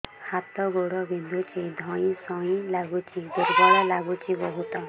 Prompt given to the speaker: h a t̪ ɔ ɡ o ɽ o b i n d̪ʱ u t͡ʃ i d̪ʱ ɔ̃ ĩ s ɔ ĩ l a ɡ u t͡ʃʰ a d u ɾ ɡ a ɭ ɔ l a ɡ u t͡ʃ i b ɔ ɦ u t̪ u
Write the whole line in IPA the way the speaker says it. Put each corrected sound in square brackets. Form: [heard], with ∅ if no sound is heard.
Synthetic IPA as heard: h a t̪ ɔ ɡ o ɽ [ɔ] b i n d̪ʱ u t͡ʃ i d̪ʱ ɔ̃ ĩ s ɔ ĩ l a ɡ u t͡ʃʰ [i] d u ɾ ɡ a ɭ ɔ l a ɡ u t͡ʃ i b ɔ ɦ u t̪ [ɔ]

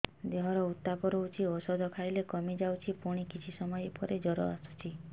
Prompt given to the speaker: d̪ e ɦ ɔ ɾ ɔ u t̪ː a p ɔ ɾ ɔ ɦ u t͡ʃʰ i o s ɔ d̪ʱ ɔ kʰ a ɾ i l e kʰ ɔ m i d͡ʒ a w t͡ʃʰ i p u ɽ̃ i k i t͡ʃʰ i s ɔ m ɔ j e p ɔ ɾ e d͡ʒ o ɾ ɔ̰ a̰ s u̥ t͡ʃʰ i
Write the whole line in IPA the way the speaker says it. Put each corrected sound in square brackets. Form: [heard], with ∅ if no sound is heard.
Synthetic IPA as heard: d̪ e ɦ ɔ ɾ ɔ u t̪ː a p ɔ ɾ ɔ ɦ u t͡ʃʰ i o s ɔ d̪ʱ ɔ kʰ a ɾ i l e [k] ɔ m i d͡ʒ a w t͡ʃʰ i p u ɽ̃ i k i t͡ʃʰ i s ɔ m ɔ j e p ɔ ɾ e d͡ʒ [ɔ] ɾ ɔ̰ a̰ s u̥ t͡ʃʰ i

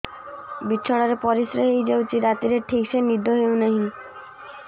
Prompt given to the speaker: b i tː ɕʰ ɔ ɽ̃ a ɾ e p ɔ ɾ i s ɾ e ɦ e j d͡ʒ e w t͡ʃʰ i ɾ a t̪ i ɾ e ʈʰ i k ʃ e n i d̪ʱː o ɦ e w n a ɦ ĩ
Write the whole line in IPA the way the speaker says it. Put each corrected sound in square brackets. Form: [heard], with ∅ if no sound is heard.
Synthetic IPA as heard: b i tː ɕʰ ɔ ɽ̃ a ɾ e p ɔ ɾ i s ɾ e ɦ e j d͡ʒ e w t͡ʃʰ i ɾ a t̪ i ɾ e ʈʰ i k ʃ e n i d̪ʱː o ɦ e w n a ɦ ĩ

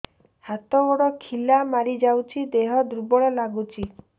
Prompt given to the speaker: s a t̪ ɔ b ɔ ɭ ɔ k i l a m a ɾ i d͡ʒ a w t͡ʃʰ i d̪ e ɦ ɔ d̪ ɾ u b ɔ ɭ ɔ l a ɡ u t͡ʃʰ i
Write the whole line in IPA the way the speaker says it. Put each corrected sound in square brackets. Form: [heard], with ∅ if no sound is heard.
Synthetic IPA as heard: [h] a t̪ ɔ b ɔ [ɽ] ɔ [kʰ] i l a m a ɾ i d͡ʒ a w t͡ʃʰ i d̪ e ɦ ɔ d̪ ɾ u b ɔ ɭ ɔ l a ɡ u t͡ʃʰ i

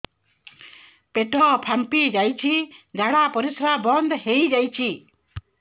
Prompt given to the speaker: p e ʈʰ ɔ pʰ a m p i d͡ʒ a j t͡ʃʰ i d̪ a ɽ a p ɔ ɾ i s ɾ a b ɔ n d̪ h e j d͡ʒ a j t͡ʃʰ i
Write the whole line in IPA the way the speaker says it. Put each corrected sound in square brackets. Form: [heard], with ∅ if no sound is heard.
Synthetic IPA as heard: p e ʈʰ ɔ pʰ a m p i d͡ʒ a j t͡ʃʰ i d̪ a ɽ a p ɔ ɾ i s ɾ a b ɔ n d̪ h e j d͡ʒ a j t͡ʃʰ i

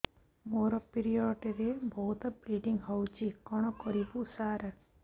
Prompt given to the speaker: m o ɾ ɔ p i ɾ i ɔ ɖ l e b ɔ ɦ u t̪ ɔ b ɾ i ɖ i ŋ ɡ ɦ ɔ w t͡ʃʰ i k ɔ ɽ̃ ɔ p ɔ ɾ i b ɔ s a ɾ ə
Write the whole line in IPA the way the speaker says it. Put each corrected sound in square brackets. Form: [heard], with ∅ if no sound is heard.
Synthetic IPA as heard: m o ɾ ɔ p i ɾ i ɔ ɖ [ɾ] e b ɔ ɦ u t̪ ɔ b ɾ i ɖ i ŋ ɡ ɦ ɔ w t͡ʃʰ i k ɔ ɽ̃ ɔ [k] ɔ ɾ i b [u] s a ɾ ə

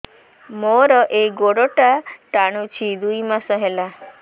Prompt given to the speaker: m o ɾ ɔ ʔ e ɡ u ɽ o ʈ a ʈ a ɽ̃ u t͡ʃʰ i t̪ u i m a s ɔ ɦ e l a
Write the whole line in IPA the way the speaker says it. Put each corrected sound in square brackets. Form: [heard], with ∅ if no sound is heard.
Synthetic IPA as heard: m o ɾ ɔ ʔ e ɡ [o] ɽ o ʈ a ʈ a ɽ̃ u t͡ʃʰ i [d̪] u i m a s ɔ ɦ e l a

